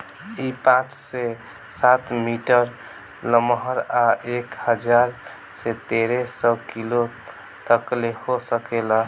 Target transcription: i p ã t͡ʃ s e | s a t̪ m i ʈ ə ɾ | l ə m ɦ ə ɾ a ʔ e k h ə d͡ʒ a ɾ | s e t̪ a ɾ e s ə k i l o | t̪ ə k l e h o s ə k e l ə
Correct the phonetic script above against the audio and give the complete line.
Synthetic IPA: i p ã t͡ʃ s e | s a t̪ m i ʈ ə ɾ | l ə m ɦ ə ɾ a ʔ e k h ə d͡ʒ a ɾ | s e t̪ e ɾ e s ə k i l o | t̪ ə k l e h o s ə k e l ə